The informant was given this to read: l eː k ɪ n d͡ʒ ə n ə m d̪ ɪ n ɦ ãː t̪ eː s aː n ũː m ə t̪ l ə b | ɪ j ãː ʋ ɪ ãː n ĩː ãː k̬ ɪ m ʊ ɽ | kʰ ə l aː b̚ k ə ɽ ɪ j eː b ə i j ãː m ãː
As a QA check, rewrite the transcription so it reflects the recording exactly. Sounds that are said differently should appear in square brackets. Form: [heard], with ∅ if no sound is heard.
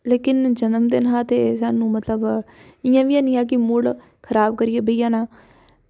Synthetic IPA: l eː k ɪ n d͡ʒ ə n ə m d̪ ɪ n ɦ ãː t̪ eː s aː n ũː m ə t̪ l ə b | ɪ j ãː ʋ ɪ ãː n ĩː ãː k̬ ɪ m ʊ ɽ | kʰ ə [ɾ] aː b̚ k ə [ɾ] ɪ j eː b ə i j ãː [n] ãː